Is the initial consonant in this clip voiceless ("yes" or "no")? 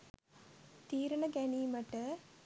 yes